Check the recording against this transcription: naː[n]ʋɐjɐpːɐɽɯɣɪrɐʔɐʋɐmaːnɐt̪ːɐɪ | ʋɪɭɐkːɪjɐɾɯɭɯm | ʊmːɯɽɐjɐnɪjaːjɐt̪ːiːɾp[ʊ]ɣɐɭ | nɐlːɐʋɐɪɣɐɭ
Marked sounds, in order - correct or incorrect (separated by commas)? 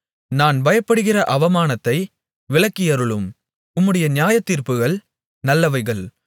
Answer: correct, incorrect